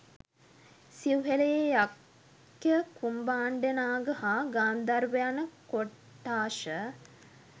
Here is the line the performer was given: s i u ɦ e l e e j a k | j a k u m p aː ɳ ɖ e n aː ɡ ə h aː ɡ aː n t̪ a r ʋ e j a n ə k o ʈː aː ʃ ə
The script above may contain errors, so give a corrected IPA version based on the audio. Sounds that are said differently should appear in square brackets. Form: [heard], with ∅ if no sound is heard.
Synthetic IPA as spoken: s i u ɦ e l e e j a k | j [ə] k u m [b] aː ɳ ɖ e n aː ɡ ə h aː ɡ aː n [d̪] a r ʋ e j a n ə k o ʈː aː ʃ ə

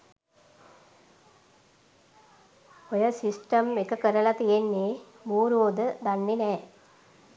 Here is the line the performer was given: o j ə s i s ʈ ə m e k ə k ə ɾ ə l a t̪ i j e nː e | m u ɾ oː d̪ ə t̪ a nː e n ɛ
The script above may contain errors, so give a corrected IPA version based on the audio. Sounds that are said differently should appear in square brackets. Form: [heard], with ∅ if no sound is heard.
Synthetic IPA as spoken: o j ə s i s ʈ ə m e k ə k ə ɾ ə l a t̪ i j e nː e | m [uː] ɾ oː d̪ ə [d̪] a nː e n [ɛː]

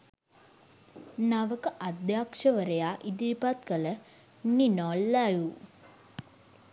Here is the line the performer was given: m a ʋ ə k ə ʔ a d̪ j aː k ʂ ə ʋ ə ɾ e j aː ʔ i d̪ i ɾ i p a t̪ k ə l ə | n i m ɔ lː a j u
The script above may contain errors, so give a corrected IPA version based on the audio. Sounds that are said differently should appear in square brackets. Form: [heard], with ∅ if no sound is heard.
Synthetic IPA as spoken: [n] a ʋ ə k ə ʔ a d̪ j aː k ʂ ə ʋ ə ɾ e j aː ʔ i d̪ i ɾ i p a t̪ k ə l ə | n i [n] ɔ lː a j u

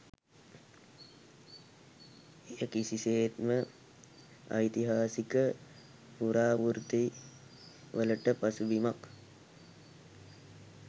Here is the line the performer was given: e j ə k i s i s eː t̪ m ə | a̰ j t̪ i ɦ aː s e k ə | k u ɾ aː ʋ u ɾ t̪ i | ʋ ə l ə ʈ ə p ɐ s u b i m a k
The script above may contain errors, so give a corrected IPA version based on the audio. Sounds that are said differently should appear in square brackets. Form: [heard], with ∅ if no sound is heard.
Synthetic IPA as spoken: e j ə k i s i s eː t̪ m ə | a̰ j t̪ i ɦ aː s [i] k ə | [p] u ɾ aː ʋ u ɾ t̪ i | ʋ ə l ə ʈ ə p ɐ s u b i m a k

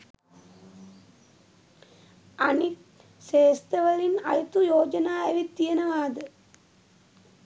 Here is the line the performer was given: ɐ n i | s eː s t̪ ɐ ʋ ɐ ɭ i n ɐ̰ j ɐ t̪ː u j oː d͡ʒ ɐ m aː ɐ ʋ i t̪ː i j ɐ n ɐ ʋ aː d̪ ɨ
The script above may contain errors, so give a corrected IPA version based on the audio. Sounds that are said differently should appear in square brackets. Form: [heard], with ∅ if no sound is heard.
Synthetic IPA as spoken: ɐ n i | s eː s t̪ ɐ ʋ ɐ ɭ i n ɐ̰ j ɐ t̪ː u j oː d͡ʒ ɐ [n] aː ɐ ʋ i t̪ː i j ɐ n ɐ ʋ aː d̪ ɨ

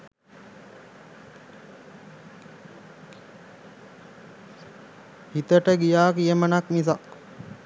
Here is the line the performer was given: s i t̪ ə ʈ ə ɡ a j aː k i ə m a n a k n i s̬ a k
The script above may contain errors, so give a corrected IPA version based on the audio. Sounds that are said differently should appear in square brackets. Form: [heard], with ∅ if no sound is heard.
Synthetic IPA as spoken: [h] i t̪ ə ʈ ə ɡ [i] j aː k i ə m [ə] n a k n i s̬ a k

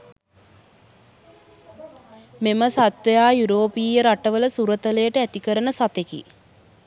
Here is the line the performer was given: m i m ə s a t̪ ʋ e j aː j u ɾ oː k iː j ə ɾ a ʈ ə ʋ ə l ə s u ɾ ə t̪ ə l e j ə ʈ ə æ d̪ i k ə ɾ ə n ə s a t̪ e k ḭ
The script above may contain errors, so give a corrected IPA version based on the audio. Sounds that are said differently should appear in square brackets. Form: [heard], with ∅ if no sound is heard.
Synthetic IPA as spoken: m [e] m ə s a t̪ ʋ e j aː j u ɾ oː [p] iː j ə ɾ a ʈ ə ʋ ə l ə s u ɾ ə t̪ ə l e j ə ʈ ə æ [t̪] i k ə ɾ ə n ə s a t̪ e k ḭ

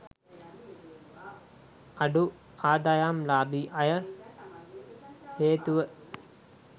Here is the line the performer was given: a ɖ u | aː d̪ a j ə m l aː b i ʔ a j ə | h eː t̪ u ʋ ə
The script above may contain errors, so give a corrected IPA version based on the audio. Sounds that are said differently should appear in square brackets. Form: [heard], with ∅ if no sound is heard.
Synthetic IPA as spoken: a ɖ u | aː d̪ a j [a] m l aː b i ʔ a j ə | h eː t̪ u ʋ ə

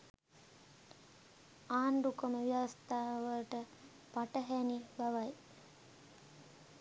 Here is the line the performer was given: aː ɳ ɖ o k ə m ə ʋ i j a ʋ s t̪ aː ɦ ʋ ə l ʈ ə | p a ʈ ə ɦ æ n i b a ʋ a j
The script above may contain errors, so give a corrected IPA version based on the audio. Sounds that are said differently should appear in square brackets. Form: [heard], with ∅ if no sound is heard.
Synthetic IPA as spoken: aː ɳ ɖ [u] k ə m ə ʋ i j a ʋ s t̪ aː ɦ ʋ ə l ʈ ə | p a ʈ ə ɦ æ n i b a ʋ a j

